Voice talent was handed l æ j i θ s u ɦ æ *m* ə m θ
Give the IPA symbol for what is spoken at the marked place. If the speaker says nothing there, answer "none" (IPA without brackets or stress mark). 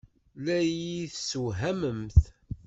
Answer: m